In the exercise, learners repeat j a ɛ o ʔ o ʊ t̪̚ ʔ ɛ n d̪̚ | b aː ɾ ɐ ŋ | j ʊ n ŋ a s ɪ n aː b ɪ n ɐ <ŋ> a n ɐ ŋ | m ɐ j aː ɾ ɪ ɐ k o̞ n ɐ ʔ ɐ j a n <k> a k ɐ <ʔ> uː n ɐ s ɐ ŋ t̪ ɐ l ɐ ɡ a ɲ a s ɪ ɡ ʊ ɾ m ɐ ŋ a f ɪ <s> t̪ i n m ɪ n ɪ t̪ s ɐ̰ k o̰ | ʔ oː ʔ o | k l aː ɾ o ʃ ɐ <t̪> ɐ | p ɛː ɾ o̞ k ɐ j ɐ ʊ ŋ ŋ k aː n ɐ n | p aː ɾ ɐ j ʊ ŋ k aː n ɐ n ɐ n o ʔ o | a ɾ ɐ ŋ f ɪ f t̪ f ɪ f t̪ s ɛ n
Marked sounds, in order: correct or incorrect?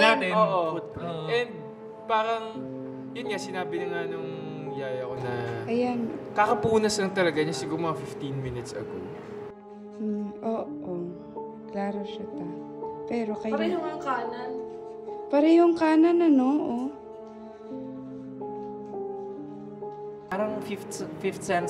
correct, correct, incorrect: p, incorrect: f, correct

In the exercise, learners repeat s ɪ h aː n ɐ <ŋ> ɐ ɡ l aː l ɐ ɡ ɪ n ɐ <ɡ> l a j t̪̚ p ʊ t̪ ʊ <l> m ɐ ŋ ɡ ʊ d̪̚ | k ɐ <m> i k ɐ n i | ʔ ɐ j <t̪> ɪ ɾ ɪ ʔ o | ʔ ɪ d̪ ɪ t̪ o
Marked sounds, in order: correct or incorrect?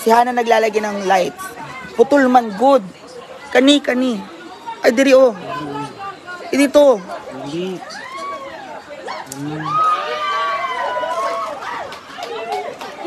incorrect: n, incorrect: ŋ, correct, incorrect: n, incorrect: d̪

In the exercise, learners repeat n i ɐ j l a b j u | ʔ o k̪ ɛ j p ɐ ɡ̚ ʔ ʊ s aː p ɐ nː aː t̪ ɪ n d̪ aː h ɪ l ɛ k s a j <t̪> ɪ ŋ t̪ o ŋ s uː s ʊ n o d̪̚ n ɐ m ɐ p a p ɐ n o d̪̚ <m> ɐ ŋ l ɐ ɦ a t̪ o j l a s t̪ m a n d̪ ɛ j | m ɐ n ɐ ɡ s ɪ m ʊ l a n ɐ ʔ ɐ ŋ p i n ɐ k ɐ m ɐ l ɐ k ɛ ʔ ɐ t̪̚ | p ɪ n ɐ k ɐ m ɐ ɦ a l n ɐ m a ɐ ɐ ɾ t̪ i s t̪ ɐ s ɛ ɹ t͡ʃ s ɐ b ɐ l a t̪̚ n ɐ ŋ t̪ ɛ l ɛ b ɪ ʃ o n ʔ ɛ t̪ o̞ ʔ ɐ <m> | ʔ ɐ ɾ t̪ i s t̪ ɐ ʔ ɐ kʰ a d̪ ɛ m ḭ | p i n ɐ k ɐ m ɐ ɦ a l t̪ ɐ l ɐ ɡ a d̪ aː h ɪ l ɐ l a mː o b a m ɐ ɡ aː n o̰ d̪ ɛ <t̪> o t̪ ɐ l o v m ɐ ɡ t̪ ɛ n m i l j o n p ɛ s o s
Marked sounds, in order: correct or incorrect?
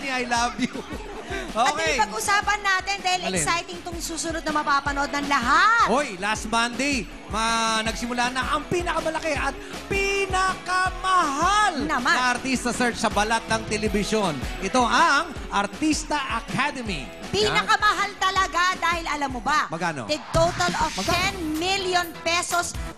correct, incorrect: n, incorrect: ŋ, correct

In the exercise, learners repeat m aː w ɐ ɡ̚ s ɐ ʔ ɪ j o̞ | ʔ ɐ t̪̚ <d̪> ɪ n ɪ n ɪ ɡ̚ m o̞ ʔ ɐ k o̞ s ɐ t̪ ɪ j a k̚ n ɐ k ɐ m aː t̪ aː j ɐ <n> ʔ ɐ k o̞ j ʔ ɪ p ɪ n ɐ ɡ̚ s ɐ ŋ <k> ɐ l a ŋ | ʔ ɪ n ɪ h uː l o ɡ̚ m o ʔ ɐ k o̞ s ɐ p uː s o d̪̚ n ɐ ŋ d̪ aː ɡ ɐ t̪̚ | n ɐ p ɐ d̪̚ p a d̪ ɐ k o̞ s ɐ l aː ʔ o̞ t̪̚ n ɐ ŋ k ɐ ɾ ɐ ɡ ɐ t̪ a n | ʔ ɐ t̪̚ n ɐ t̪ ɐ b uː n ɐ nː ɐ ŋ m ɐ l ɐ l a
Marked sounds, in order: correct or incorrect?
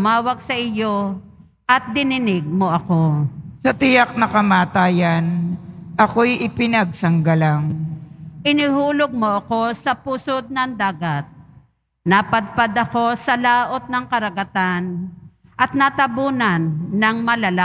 correct, correct, incorrect: ɡ

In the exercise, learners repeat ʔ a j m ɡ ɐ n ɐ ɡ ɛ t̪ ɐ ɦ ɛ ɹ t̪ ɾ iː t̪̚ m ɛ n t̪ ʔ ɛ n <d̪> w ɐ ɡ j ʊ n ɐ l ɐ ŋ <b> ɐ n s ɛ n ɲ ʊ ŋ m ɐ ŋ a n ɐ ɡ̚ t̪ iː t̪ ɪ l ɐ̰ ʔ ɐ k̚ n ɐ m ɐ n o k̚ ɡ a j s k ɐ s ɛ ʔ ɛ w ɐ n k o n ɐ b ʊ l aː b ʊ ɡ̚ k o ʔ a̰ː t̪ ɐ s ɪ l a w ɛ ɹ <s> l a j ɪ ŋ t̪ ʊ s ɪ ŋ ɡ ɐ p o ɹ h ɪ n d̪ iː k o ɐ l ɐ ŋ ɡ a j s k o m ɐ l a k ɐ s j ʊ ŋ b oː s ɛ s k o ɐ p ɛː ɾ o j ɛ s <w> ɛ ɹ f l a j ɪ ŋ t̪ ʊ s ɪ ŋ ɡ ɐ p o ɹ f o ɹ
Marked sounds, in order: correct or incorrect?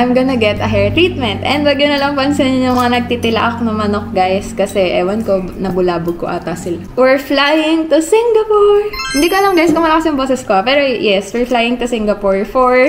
correct, incorrect: p, incorrect: f, correct

